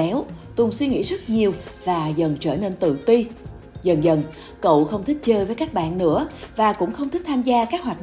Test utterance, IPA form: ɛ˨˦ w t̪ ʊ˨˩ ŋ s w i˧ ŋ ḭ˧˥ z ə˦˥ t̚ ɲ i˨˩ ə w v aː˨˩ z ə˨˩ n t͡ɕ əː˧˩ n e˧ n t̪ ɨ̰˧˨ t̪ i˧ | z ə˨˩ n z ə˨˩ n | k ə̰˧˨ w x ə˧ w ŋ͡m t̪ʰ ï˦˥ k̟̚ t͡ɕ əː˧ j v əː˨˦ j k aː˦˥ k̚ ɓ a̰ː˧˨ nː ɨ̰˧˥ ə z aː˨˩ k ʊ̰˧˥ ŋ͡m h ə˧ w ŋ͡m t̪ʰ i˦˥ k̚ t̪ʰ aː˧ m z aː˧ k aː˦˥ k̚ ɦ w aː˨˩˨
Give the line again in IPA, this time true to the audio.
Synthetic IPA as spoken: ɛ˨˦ w t̪ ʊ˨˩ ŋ s w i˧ ŋ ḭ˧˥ z ə˦˥ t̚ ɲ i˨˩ ə w v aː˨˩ z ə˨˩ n t͡ɕ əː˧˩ n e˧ n t̪ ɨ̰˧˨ t̪ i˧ | z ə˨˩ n z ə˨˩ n | k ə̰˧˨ w x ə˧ w ŋ͡m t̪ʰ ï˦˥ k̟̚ t͡ɕ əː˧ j v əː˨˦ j k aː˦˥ k̚ ɓ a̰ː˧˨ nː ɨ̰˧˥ ə v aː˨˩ k ʊ̰˧˥ ŋ͡m x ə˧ w ŋ͡m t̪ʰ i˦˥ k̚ t̪ʰ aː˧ m z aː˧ k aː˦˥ k̚ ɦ w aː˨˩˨